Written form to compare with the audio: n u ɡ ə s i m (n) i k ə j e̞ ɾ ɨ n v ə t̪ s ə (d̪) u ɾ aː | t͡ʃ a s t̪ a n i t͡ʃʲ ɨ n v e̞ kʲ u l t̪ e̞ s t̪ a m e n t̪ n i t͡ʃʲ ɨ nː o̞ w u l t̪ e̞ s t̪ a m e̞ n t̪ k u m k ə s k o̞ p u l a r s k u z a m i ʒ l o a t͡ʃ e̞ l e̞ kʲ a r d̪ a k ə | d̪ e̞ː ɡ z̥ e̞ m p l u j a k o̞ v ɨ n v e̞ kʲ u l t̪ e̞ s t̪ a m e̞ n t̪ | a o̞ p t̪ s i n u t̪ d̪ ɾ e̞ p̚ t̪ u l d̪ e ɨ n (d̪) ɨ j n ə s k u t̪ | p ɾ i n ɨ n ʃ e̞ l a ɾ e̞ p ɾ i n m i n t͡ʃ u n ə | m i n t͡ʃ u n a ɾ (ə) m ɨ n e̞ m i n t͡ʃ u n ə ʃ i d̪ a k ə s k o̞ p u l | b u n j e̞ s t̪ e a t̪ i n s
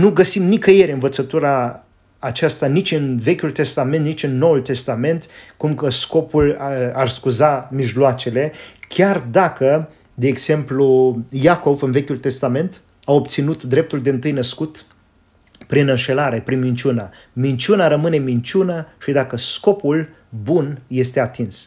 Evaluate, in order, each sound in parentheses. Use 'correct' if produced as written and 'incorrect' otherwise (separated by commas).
correct, incorrect, incorrect, correct